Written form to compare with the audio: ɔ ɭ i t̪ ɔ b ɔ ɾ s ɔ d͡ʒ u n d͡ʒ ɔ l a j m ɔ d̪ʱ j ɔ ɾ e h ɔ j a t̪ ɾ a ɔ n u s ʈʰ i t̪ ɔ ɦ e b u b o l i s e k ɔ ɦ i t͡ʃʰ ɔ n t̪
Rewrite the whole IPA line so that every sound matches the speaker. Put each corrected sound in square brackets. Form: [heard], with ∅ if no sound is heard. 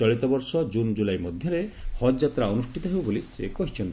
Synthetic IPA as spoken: ɔ ɭ i t̪ ɔ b ɔ ɾ s ɔ d͡ʒ u n d͡ʒ [u] l a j m ɔ d̪ʱ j ɔ ɾ e h ɔ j a t̪ ɾ a ɔ n u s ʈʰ i t̪ ɔ ɦ e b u b o l i s e k ɔ ɦ i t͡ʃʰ ɔ n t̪